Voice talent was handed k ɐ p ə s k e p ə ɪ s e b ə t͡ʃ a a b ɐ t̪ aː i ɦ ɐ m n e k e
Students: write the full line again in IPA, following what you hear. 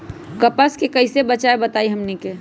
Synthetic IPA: k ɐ p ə s k e k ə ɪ s e b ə t͡ʃ a e b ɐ t̪ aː i ɦ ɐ m n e k e